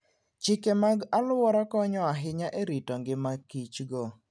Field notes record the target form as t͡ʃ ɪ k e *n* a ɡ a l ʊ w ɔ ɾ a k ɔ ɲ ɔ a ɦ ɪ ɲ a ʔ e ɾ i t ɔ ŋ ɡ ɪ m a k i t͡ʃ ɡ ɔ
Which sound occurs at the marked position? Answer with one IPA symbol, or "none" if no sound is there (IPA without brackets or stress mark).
m